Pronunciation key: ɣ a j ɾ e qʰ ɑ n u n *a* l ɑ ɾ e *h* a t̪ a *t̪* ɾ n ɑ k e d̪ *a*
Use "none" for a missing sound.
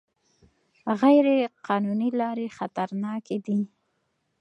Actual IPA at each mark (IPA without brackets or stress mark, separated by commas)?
i, x, none, i